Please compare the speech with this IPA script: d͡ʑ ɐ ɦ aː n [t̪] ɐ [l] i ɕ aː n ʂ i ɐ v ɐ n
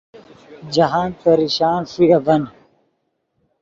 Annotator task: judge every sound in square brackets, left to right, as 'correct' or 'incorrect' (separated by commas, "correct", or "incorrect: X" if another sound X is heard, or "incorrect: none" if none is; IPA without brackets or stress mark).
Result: correct, incorrect: ɾ